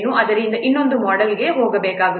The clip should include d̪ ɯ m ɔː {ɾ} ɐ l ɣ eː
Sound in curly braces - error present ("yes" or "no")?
yes